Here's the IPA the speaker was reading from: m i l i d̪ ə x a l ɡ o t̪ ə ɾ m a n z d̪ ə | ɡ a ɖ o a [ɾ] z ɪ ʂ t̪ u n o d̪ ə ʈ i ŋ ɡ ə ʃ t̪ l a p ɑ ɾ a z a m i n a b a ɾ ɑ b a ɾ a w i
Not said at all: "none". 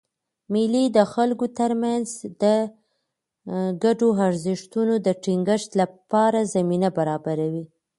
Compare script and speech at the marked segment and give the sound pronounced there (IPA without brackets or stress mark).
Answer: ɾ